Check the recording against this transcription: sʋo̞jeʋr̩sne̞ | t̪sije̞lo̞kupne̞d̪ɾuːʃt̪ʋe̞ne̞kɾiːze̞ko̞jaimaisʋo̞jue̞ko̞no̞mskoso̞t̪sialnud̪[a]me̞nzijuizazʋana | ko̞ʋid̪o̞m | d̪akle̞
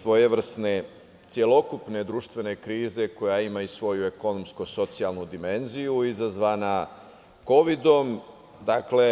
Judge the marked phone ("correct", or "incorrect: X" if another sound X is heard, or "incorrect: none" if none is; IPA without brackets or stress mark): incorrect: i